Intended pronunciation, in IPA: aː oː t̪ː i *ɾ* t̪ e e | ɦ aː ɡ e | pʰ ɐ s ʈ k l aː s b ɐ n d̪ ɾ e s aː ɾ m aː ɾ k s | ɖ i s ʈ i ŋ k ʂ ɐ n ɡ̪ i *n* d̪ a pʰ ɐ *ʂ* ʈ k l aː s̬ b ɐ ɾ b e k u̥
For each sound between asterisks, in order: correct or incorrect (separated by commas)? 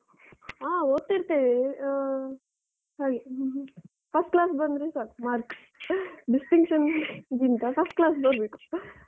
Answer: correct, correct, incorrect